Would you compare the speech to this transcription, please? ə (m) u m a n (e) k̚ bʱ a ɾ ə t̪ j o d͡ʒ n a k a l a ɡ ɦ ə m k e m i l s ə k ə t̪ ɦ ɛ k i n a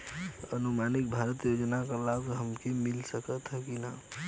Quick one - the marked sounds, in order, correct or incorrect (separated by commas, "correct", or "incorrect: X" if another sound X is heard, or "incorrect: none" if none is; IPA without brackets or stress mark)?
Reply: incorrect: n, incorrect: i